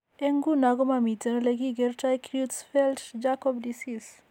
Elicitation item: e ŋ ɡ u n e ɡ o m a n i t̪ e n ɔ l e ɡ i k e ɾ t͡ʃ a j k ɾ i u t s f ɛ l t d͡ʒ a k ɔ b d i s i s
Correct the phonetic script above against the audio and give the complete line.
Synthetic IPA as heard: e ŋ ɡ u n a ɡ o m a m i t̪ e n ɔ l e ɡ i ɡ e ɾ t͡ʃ a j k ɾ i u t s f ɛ l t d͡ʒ a k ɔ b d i s i s

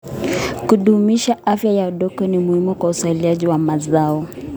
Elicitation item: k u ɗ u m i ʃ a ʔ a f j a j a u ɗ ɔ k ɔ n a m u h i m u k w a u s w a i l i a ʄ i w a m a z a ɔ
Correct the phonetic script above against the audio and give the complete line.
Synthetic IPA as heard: k u ɗ u m i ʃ a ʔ a f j a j a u ɗ ɔ k ɔ n i m u h i m u k w a u s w a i l i a ʄ i w a m a z a ɔ

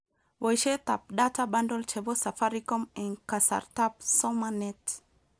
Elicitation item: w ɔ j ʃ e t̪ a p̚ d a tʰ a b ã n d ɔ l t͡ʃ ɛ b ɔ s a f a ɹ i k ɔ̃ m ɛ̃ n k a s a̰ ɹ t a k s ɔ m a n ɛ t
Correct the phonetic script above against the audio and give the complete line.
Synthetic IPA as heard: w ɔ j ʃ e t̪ a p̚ d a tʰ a b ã n d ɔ l t͡ʃ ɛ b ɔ s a f a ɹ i k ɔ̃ m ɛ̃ n k a s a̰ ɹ t a p s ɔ m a n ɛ t

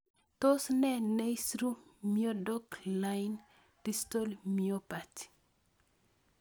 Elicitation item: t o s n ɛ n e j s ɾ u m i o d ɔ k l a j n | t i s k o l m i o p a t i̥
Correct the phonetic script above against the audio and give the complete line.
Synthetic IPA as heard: t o s n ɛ n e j s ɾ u m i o d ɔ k l a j n | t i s t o l m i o p a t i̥

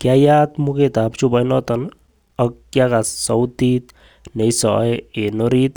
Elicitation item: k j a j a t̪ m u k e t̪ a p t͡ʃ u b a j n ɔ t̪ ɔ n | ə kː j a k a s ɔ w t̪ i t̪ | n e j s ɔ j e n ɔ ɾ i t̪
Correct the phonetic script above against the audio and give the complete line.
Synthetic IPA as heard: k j a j a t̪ m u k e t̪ a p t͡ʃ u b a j n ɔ t̪ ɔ n | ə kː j a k a s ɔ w t̪ i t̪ | n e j s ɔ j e n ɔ ɾ i t̪

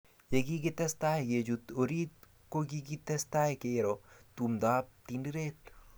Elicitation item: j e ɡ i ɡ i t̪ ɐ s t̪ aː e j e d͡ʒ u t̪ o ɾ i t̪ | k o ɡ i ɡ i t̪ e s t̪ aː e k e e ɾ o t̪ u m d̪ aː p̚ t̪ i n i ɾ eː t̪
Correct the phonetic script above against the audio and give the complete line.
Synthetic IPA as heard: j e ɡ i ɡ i t̪ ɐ s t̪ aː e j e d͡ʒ u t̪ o ɾ i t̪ | k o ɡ i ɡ i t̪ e s t̪ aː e k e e ɾ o t̪ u m d̪ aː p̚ t̪ i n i ɾ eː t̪

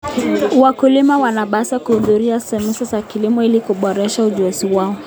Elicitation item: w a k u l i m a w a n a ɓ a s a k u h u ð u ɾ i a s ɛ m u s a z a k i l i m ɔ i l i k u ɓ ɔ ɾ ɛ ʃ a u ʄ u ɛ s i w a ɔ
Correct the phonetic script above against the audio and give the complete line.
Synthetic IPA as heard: w a k u l i m a w a n a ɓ a s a k u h u ð u ɾ i a s ɛ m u s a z a k i l i m ɔ i l i k u ɓ ɔ ɾ ɛ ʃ a u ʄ u ɛ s i w a ɔ

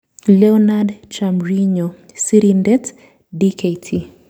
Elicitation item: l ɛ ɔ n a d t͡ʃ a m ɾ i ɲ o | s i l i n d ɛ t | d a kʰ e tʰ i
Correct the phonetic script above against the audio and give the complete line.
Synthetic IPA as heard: l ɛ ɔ n a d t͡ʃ a m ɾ i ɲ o | s i ɾ i n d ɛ t | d i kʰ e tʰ i

